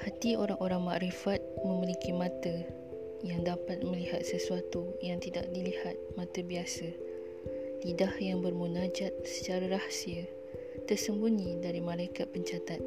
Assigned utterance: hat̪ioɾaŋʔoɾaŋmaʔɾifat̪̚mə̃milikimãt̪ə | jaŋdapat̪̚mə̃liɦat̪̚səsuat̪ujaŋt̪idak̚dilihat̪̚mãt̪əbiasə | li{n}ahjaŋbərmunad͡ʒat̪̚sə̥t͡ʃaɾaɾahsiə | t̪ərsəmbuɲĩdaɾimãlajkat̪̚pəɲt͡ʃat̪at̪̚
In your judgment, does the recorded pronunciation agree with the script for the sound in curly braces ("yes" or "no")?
no